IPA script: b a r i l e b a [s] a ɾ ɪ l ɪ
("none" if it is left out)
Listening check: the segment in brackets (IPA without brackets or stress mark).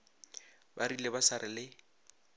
s